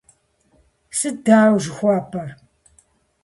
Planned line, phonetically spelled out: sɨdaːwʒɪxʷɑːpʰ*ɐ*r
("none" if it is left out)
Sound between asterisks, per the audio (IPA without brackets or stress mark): ɐ